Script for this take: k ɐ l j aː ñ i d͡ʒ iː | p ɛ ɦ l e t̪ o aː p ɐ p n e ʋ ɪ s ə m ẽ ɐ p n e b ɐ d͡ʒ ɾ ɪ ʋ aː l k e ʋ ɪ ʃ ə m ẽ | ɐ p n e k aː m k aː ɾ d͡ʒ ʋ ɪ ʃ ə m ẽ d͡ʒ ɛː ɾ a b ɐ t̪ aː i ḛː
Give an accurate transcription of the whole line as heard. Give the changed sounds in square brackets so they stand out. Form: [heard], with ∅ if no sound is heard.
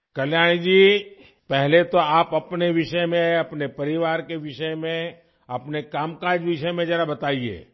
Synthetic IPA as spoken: k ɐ l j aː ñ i d͡ʒ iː | p ɛ ɦ l e t̪ o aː p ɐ p n e ʋ ɪ [ʃ] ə m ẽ ɐ p n e [p] ɐ [∅] ɾ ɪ ʋ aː [ɾ] k e ʋ ɪ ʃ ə m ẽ | ɐ p n e k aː m k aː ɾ d͡ʒ ʋ ɪ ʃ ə m ẽ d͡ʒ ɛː ɾ a b ɐ t̪ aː i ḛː

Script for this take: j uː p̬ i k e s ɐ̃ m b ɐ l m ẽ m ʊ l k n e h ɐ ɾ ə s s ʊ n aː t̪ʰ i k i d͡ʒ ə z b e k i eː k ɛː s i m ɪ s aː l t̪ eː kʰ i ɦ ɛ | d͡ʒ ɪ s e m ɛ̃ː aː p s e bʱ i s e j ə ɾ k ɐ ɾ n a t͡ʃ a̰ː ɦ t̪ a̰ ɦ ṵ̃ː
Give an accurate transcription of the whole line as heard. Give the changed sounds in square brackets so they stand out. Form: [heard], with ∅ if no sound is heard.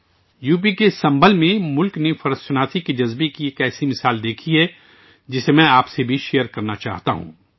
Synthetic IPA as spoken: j uː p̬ i k e s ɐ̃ m b [ə] l m ẽ m ʊ l k n e [f] ɐ ɾ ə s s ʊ n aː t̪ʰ i k i d͡ʒ [ɐ] z b e k i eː k ɛː s i m ɪ s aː l [d̪] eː kʰ i ɦ ɛ | d͡ʒ ɪ s e m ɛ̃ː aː p s e bʱ i [ʃ] e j ə ɾ k ɐ ɾ n a t͡ʃ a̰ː ɦ t̪ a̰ ɦ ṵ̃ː

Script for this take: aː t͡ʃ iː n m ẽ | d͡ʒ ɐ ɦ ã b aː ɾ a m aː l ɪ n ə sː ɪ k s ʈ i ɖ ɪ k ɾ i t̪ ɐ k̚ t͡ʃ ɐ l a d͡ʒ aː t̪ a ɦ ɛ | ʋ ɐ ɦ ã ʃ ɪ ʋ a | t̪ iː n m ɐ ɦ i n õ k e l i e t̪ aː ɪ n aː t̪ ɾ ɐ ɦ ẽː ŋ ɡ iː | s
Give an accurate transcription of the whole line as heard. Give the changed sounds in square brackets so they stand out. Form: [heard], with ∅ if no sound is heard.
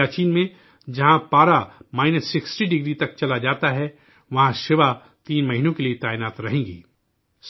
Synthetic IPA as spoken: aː t͡ʃ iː n m ẽ | d͡ʒ ɐ ɦ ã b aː ɾ a m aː [∅] ɪ n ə sː ɪ k s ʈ i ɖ ɪ [ɡ] ɾ i t̪ ɐ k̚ t͡ʃ ɐ l a d͡ʒ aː t̪ a ɦ ɛ | ʋ ɐ ɦ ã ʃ ɪ ʋ a | t̪ iː n m ɐ ɦ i n õ k e l i e t̪ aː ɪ n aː t̪ ɾ ɐ ɦ ẽː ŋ ɡ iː | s

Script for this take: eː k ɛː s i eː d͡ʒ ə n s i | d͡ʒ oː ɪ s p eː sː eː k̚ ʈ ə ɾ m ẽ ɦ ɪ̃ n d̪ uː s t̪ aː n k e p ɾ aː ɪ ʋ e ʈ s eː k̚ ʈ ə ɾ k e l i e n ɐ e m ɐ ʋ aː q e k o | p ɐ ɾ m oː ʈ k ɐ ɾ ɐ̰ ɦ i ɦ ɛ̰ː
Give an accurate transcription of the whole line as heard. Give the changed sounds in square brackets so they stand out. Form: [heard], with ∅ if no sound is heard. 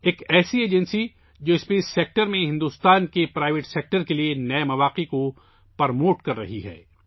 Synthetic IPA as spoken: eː k ɛː s i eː d͡ʒ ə n s i | d͡ʒ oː ɪ s p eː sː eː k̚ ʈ ə ɾ m ẽ ɦ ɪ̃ n d̪ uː s t̪ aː n k e p ɾ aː ɪ ʋ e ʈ s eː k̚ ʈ ə ɾ k e l i e n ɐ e m ɐ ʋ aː q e k o | p ɐ ɾ m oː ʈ k ɐ [ɾː] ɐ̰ ɦ i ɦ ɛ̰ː

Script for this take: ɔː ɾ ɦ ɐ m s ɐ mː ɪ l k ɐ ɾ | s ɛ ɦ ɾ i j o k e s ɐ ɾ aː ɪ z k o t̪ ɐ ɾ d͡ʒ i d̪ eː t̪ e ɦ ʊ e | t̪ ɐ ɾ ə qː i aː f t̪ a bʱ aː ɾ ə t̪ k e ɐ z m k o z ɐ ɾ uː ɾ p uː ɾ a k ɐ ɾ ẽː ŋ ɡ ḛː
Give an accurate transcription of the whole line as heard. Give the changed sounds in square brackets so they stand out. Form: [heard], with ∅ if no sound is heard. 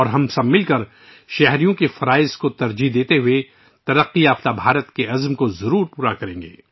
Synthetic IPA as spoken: ɔː ɾ ɦ ɐ m s ɐ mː ɪ l k ɐ ɾ | [ʃ] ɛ ɦ ɾ i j [õ] k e [f] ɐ ɾ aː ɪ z k o t̪ ɐ ɾ d͡ʒ i d̪ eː t̪ e ɦ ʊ e | t̪ ɐ ɾ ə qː i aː f t̪ a bʱ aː ɾ ə t̪ k e ɐ z m k o z ɐ ɾ uː ɾ p uː ɾ a k ɐ ɾ ẽː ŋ ɡ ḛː

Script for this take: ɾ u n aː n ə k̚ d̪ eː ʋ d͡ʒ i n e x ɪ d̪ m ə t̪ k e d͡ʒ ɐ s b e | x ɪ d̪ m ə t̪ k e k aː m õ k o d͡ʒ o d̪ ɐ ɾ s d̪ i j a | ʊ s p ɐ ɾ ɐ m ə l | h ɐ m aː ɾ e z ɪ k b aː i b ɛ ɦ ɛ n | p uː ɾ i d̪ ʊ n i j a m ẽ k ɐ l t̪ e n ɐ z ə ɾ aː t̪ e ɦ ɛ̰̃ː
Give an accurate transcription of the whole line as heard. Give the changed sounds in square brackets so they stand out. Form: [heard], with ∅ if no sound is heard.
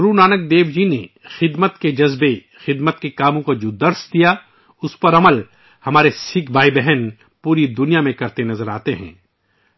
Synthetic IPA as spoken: ɾ u n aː n ə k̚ d̪ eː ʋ d͡ʒ i n e x ɪ d̪ m ə t̪ k e d͡ʒ ɐ [z] b e | x ɪ d̪ m ə t̪ k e k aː m õ k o d͡ʒ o d̪ ɐ ɾ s d̪ i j a | ʊ s p ɐ ɾ ɐ m ə l | h ɐ m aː ɾ e [s] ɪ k b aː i b ɛ ɦ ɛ n | p uː ɾ i d̪ ʊ n i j a m ẽ k ɐ [ɾ] t̪ e n ɐ z ə ɾ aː t̪ e ɦ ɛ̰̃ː

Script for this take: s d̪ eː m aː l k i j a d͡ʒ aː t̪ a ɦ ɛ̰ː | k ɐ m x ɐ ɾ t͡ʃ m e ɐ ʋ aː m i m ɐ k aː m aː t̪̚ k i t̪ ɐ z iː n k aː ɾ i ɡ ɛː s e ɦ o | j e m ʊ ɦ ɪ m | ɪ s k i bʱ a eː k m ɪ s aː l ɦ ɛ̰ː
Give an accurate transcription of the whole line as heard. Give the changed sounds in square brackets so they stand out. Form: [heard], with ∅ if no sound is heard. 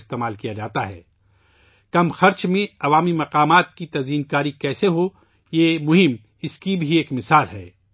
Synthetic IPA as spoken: s [t̪] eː m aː l k i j a d͡ʒ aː t̪ a ɦ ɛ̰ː | k ɐ m x ɐ ɾ t͡ʃ m [ẽ] ɐ ʋ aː m i m ɐ [q] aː m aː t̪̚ k i t̪ ɐ z iː n k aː ɾ i [k] ɛː s e ɦ o | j e m ʊ ɦ ɪ m | ɪ s k i bʱ [i] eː k m ɪ s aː l ɦ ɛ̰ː

